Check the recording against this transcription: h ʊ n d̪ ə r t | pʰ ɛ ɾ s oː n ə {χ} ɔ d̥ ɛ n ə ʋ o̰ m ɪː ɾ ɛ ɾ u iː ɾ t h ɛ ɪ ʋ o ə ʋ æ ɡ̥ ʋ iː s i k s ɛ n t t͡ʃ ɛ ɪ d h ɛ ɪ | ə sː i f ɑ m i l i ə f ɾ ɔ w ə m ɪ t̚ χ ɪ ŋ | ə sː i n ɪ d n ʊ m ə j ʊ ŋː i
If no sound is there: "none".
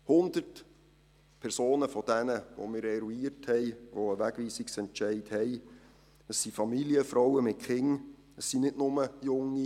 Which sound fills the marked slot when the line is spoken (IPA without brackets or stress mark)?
f